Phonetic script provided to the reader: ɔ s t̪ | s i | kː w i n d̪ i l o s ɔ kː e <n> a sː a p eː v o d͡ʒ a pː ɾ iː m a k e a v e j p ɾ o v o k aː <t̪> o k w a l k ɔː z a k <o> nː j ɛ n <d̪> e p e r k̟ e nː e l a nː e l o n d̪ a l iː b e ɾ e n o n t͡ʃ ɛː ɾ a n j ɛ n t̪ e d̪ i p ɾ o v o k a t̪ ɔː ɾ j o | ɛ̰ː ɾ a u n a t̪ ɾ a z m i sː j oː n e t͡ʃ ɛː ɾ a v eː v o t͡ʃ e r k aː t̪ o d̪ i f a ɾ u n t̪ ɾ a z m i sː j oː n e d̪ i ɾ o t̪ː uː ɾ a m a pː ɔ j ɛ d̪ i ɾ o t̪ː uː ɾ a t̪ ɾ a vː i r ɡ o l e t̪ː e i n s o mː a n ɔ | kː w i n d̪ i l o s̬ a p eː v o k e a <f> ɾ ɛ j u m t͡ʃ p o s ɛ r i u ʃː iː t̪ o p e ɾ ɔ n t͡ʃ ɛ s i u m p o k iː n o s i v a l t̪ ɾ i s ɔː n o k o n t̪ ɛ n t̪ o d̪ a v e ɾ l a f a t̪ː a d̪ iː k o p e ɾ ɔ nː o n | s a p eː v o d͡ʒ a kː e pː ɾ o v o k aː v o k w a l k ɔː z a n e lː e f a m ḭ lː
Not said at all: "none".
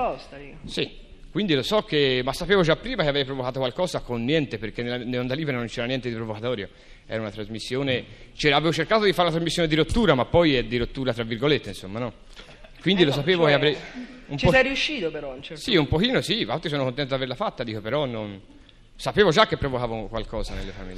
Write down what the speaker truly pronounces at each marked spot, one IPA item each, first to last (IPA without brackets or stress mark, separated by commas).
m, t̪, o, t̪, v